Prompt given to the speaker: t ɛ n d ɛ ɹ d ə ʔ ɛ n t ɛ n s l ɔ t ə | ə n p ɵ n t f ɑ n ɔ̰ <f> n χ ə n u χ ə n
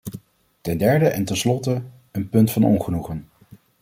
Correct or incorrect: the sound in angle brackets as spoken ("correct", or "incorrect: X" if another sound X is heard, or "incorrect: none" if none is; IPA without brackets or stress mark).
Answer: incorrect: none